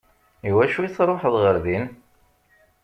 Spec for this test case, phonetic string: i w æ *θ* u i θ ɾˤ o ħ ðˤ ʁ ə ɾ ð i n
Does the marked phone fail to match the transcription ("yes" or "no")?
yes